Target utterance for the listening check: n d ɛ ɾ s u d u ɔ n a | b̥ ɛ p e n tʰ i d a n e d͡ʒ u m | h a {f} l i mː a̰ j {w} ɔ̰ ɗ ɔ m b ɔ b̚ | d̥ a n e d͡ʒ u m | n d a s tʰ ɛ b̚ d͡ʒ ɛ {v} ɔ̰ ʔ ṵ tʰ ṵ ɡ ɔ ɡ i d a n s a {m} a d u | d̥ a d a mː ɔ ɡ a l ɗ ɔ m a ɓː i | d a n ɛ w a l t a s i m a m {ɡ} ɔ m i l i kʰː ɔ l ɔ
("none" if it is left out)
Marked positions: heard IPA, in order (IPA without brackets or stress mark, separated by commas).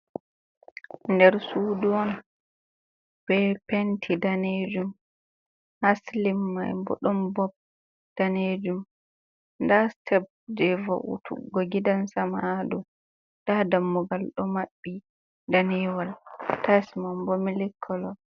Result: s, b, v, m, b